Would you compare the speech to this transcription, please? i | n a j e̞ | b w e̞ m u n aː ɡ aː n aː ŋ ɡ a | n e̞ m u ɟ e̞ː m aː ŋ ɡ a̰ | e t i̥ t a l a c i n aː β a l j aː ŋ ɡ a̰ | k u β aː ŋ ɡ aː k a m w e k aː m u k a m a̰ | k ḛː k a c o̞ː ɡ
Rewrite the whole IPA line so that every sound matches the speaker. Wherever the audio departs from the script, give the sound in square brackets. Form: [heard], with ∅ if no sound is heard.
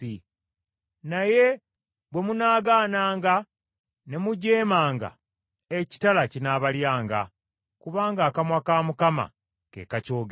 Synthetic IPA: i | n a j e̞ | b w e̞ m u n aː ɡ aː n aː ŋ ɡ a | n e̞ m u ɟ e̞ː m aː ŋ ɡ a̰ | e [c] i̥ t a l a c i n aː β a l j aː ŋ ɡ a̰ | k u β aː ŋ ɡ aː k a m w [a] k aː m u k a m a̰ | k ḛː k a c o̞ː ɡ